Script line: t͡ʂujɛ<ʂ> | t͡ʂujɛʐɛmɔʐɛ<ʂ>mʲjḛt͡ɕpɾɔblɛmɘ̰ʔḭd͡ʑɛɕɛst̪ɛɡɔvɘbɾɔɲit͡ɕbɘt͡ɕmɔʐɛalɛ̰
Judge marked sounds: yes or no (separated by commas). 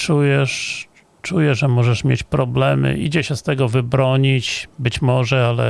yes, yes